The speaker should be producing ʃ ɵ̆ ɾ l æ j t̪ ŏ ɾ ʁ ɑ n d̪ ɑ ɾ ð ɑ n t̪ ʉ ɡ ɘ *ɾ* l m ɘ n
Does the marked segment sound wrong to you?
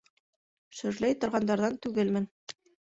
yes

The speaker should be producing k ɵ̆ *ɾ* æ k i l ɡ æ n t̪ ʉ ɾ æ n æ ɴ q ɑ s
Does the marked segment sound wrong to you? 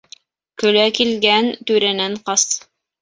yes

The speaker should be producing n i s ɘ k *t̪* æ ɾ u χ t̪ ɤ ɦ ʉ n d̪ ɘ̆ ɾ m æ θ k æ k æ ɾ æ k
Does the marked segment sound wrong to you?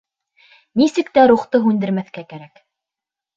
no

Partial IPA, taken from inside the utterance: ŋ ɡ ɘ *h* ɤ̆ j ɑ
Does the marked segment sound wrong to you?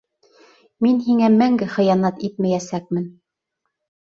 yes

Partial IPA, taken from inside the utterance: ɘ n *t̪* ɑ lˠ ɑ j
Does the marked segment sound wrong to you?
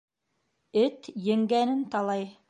no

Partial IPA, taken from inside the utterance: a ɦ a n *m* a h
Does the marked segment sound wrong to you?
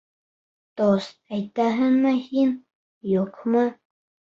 no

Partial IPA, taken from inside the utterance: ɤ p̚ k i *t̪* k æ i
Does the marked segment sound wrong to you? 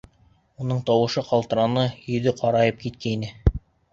no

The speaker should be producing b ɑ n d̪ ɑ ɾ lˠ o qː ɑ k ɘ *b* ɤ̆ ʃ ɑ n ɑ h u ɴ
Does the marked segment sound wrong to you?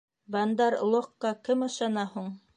yes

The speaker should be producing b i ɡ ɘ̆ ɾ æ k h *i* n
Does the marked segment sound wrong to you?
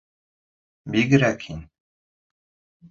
no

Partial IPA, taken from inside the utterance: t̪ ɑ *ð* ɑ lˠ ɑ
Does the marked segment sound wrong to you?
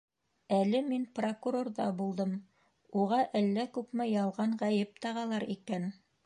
yes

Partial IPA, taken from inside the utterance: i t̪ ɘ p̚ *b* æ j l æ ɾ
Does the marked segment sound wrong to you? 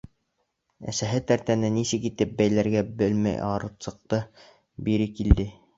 no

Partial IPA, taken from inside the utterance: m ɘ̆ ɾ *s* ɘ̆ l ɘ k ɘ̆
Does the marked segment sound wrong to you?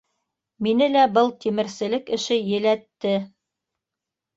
no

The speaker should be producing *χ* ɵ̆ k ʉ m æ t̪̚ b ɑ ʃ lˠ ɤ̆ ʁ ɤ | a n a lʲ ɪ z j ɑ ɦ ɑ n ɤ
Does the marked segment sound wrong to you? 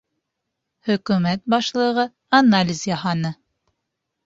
yes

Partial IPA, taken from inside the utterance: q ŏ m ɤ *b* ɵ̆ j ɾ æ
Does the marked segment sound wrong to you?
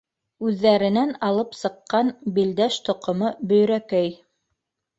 no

